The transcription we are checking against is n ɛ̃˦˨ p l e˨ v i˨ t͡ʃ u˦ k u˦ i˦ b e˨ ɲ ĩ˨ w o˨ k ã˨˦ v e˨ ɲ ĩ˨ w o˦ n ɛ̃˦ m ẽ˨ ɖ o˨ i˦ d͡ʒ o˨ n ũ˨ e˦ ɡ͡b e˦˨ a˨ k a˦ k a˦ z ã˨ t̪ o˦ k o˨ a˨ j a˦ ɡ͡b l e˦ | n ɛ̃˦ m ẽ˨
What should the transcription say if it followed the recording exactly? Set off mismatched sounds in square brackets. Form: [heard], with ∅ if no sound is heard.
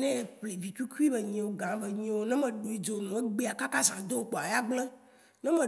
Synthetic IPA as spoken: n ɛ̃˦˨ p l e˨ v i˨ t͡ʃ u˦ k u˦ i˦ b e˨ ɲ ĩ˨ w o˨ [ɡ] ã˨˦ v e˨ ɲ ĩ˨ w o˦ n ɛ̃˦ m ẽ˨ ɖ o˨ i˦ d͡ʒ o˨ n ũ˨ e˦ ɡ͡b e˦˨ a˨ k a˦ k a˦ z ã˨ [d̪] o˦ [k͡p] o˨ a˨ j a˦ ɡ͡b l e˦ | n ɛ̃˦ m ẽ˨